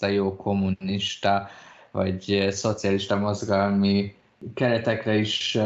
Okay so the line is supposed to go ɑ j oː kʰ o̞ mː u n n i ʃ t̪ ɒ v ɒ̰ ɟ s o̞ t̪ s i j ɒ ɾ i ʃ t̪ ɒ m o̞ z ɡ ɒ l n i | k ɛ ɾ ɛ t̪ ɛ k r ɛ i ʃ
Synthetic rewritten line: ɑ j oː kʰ o̞ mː u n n i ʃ t̪ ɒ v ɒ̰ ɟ s o̞ t̪ s i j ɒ l i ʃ t̪ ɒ m o̞ z ɡ ɒ l m i | k ɛ ɾ ɛ t̪ ɛ k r ɛ i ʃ